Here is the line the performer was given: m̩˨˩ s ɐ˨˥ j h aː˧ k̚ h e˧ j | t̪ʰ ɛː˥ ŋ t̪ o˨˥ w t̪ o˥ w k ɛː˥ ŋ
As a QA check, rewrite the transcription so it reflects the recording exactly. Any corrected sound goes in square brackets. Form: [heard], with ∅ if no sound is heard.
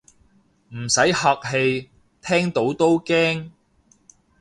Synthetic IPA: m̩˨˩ s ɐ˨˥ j h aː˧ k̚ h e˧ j | t̪ʰ ɛː˥ ŋ t̪ o˨˥ w t̪ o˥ w k ɛː˥ ŋ